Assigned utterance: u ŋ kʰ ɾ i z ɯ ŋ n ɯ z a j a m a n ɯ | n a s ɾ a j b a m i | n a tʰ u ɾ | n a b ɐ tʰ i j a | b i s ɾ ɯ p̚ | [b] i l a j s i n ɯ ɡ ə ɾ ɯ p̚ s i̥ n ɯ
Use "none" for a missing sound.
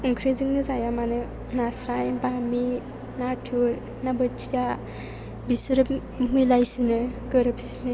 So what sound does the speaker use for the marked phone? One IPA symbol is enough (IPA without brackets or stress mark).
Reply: m